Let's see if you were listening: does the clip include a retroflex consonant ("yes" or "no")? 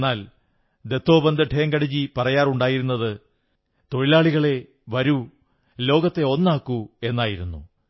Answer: yes